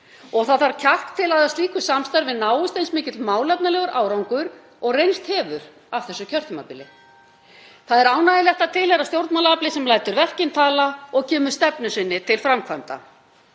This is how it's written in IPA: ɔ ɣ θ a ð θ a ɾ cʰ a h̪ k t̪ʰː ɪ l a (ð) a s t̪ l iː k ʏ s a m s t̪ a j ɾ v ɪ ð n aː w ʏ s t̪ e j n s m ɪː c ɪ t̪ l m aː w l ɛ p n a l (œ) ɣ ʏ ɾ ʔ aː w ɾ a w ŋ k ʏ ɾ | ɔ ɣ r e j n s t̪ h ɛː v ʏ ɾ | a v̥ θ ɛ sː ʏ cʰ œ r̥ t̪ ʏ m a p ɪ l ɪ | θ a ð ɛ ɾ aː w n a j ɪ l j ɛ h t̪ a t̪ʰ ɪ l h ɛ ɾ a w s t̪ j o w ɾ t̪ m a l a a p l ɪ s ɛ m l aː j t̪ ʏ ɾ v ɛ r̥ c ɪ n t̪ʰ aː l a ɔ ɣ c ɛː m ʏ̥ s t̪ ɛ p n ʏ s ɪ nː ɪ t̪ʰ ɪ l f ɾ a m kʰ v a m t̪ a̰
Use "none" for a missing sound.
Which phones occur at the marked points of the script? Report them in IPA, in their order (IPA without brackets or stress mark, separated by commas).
ð, ɛ